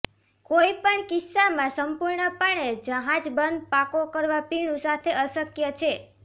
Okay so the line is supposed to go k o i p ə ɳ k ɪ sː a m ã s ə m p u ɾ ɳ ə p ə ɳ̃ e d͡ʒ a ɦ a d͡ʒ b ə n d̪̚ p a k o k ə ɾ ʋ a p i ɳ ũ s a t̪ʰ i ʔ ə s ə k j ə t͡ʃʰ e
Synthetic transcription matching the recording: k o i p ə ɳ k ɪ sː a m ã s ə m p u ɾ ɳ ə p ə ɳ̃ e d͡ʒ ə ɦ a d͡ʒ b ə n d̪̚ p a k o k ə ɾ ʋ a p i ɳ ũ s a t̪ʰ e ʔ ə s ə k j ə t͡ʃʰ e